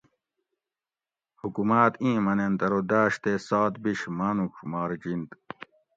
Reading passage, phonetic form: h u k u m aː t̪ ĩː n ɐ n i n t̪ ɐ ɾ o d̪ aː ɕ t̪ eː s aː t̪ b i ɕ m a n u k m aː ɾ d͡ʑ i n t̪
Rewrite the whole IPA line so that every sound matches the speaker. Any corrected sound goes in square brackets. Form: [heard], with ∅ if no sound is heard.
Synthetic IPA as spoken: h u k u m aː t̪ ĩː [m] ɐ n [e] n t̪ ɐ ɾ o d̪ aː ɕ t̪ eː s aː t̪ b i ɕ m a n u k m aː ɾ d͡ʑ i n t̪